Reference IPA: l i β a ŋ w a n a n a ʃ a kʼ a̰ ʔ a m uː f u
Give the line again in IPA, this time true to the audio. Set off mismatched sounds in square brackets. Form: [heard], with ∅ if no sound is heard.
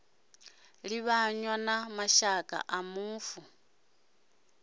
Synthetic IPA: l i β a [ɲ] w a n a [m] a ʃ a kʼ a̰ ʔ a m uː f u